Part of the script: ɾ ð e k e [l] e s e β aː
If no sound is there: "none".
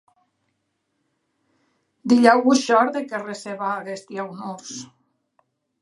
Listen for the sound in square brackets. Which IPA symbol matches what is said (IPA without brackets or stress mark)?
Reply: r